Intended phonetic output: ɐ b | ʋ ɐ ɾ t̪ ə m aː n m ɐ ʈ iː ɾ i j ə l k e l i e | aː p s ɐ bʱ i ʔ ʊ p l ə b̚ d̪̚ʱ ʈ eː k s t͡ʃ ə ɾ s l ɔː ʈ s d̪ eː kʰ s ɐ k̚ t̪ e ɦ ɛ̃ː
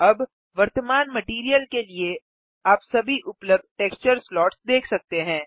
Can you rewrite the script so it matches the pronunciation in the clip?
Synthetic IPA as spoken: ɐ b | ʋ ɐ ɾ t̪ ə m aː n m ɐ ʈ iː ɾ i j ə l k e l i e | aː p s ɐ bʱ i ʔ ʊ p l ə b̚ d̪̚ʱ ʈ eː k s t͡ʃ ə ɾ s l ɔː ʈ s d̪ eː kʰ s ɐ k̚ t̪ e ɦ ɛ̃ː